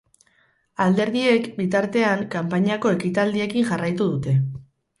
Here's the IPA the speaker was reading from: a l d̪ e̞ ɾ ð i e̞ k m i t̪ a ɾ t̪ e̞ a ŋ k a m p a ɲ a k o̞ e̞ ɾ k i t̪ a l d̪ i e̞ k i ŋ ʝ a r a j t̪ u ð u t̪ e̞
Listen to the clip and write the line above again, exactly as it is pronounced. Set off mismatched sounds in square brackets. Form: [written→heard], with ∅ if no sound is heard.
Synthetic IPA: a l d̪ e̞ ɾ ð i e̞ k [m→b] i t̪ a ɾ t̪ e̞ a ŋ k a m p a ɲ a k o̞ e̞ [ɾ→∅] k i t̪ a l d̪ i e̞ k i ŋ ʝ a r a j t̪ u ð u t̪ e̞